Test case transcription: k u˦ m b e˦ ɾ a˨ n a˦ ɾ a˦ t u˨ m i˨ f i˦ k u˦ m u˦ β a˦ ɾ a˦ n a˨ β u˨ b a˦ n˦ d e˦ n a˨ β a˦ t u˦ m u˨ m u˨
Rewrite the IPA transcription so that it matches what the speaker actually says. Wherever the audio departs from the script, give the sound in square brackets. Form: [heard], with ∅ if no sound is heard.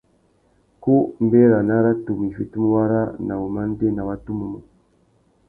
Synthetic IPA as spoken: k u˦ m b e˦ ɾ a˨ n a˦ ɾ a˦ t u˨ m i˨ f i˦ [t] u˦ m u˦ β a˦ ɾ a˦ n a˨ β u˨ [m] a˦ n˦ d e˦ n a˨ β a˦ t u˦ m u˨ m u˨